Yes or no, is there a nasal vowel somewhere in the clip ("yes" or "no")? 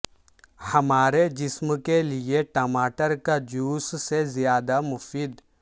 no